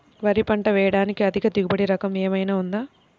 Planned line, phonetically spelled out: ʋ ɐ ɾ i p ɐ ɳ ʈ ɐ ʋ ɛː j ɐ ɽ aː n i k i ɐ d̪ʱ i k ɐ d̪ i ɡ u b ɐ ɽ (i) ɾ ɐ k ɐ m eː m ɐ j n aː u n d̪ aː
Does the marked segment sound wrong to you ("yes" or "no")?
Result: no